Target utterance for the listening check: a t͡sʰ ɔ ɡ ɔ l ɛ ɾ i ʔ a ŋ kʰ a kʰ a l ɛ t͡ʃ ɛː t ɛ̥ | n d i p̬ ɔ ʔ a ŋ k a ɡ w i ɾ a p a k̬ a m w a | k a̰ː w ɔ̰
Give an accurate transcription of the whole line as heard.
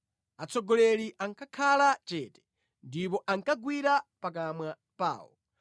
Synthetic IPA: a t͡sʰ ɔ ɡ ɔ l ɛ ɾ i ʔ a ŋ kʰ a kʰ a l a t͡ʃ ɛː t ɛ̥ | n d i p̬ ɔ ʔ a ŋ k a ɡ w i ɾ a p a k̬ a m w a | p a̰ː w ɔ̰